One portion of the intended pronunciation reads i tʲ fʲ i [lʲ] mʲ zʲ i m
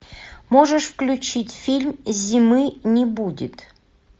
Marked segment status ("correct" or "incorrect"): correct